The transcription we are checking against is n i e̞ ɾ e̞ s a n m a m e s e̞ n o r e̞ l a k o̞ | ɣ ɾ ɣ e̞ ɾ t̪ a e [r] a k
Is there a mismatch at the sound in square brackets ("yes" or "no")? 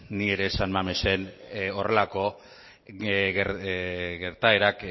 yes